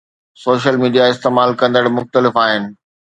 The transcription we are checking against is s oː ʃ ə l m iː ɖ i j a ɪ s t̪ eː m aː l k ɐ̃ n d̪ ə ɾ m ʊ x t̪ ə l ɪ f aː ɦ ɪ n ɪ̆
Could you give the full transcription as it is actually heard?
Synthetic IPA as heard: s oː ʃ ə l m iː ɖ i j a ɪ s t̪ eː m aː l k ɐ̃ n d̪ ə ɽ m ʊ x t̪ ə l ɪ f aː ɦ ɪ n ɪ̆